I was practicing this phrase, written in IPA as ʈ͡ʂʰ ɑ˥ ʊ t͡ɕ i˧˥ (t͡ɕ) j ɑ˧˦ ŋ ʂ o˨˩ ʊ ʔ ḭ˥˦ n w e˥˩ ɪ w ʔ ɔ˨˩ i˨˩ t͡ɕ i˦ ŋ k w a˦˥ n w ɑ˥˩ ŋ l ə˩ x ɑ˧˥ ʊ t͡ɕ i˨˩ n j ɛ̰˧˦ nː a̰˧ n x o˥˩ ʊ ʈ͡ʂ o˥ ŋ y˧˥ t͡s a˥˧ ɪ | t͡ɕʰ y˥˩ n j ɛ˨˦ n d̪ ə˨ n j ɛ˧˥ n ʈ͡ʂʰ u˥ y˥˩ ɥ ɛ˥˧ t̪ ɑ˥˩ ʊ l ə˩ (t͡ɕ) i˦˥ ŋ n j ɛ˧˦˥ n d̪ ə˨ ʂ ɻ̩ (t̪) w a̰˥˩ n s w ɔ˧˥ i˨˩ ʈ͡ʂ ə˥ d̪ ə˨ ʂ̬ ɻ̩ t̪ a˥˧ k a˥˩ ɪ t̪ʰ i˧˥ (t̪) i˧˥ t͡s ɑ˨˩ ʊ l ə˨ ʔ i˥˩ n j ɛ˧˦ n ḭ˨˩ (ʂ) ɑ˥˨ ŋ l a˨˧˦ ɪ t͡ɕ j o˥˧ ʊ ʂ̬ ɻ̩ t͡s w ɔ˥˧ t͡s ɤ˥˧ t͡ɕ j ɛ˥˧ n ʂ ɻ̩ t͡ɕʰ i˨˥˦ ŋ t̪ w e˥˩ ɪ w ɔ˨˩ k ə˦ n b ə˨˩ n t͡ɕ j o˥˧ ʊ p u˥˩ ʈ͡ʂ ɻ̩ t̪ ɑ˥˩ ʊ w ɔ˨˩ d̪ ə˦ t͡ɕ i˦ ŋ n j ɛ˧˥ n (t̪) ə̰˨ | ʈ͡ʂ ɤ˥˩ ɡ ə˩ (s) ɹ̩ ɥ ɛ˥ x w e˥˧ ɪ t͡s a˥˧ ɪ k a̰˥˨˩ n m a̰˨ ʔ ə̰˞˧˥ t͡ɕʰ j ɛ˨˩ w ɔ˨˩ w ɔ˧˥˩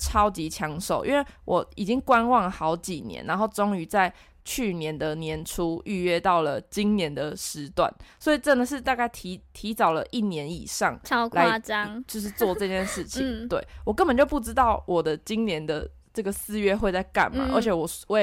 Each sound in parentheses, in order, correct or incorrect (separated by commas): incorrect, correct, correct, incorrect, correct, incorrect, correct